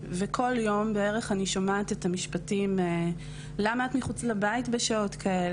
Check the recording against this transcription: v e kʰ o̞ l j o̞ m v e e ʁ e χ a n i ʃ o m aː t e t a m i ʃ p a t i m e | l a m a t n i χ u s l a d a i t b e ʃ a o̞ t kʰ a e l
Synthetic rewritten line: v e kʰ o̞ l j o̞ m b e e ʁ e χ a n i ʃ o m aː t e t a m i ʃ p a t i m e | l a m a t m i χ u t͡s l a b a i t b e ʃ a o̞ t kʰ a e l